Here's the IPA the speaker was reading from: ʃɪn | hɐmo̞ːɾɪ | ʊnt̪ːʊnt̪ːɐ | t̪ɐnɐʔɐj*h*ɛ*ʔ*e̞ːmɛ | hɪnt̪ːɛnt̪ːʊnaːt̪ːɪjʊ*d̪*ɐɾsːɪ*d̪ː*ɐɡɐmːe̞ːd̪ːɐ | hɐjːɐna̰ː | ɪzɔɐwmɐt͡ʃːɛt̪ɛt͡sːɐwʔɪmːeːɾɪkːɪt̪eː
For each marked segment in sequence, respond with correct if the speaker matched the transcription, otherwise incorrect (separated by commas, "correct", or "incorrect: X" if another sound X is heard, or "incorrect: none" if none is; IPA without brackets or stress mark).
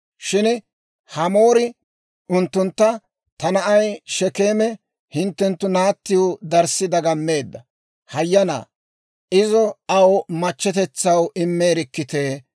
incorrect: ʃ, incorrect: k, correct, incorrect: d̪